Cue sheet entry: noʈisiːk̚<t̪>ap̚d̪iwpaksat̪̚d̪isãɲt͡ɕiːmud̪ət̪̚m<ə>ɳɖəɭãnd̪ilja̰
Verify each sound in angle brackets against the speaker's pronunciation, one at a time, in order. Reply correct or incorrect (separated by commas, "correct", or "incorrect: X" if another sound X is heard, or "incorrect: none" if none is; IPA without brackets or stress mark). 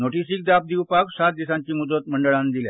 incorrect: d̪, correct